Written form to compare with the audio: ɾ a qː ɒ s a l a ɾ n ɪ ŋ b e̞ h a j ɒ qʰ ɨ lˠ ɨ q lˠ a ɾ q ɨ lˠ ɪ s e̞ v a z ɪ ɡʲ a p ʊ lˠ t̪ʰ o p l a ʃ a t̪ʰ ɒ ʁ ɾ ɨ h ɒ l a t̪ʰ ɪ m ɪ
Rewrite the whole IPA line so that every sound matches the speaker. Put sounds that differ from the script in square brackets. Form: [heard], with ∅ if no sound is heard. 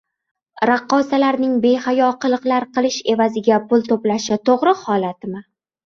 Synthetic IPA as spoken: ɾ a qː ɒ s a l a ɾ n ɪ ŋ b e̞ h a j ɒ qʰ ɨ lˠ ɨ q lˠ a ɾ q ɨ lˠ ɪ [ʃ] e̞ v a z ɪ ɡʲ a p ʊ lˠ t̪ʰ o p l a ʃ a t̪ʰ [o] ʁ ɾ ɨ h ɒ l a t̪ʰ ɪ m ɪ

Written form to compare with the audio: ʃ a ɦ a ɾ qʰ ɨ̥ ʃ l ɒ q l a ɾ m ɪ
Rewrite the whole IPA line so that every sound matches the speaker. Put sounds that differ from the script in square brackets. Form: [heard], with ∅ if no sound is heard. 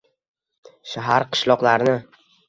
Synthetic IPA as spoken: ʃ a ɦ a ɾ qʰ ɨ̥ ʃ l ɒ q l a ɾ [n] ɪ

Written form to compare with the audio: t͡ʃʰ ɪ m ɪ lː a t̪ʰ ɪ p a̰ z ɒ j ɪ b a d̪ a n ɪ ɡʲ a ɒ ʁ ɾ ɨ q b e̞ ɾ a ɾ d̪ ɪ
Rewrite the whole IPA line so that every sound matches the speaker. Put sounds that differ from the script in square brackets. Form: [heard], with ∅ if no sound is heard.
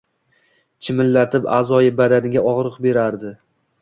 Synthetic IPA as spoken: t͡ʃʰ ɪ m ɪ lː a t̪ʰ ɪ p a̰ z ɒ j ɪ b a d̪ a n ɪ ɡʲ a ɒ ʁ ɾ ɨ q b e̞ ɾ a ɾ d̪ ɪ

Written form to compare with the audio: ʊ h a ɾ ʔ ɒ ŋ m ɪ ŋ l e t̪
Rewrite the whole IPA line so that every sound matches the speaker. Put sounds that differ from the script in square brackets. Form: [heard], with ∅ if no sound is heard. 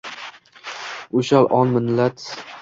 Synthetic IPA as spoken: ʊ [ʃ] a [l] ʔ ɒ [n] m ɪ [n] l [a] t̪

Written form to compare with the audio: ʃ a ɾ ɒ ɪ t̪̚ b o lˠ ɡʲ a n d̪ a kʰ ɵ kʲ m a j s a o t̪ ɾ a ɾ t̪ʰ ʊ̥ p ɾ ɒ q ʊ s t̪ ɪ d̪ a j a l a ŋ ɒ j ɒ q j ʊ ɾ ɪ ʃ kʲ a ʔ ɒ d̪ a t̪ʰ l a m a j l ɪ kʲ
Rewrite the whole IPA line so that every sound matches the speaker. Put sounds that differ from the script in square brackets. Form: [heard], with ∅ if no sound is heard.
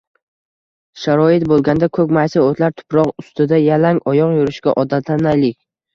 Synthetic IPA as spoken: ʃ a ɾ ɒ ɪ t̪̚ b o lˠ ɡʲ a n d̪ a kʰ ɵ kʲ m a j s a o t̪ [l] a ɾ t̪ʰ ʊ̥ p ɾ ɒ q ʊ s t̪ ɪ d̪ a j a l a ŋ ɒ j ɒ q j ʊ ɾ ɪ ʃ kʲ a ʔ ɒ d̪ a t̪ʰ l a [n] a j l ɪ kʲ

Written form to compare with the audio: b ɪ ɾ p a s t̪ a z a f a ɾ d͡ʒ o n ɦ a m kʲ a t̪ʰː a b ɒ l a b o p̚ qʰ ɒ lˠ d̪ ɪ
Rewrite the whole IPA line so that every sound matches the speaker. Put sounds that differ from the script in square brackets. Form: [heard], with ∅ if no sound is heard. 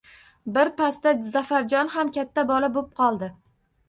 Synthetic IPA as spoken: b ɪ ɾ p a s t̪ a z a f a ɾ d͡ʒ [ɒ] n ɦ a m kʲ a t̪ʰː a b ɒ l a b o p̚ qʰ ɒ lˠ d̪ ɪ

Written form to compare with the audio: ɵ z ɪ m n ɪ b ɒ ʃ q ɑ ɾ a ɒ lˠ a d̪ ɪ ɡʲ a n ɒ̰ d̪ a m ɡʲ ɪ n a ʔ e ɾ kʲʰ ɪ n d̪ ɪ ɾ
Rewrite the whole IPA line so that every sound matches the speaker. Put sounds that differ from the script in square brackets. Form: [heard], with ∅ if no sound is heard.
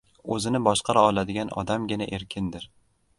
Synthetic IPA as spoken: ɵ z ɪ [∅] n ɪ b ɒ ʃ q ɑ ɾ a ɒ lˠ a d̪ ɪ ɡʲ a n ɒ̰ d̪ a m ɡʲ ɪ n a ʔ e ɾ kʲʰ ɪ n d̪ ɪ ɾ

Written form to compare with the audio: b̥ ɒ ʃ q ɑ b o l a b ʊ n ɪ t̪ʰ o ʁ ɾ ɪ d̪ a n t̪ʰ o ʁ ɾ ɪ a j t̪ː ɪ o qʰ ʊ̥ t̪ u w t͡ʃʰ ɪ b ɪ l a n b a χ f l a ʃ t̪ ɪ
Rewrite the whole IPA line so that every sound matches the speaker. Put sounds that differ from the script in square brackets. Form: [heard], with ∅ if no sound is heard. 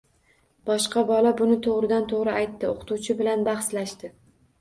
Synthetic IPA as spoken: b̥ ɒ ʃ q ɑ b [ɒ] l a b ʊ n ɪ t̪ʰ o ʁ ɾ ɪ d̪ a n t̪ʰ o ʁ ɾ ɪ a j t̪ː ɪ o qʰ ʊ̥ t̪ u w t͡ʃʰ ɪ b ɪ l a n b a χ [s] l a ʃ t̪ ɪ

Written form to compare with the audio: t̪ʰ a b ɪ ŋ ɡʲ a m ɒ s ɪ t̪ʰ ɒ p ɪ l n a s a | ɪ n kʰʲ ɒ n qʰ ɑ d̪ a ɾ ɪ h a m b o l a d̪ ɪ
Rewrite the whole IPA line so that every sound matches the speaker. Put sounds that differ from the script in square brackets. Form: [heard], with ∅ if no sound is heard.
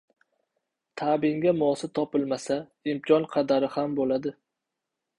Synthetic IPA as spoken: t̪ʰ a b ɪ ŋ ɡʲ a m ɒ s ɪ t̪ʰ ɒ p ɪ l [m] a s a | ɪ [m] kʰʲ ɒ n qʰ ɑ d̪ a ɾ ɪ h a m b o l a d̪ ɪ

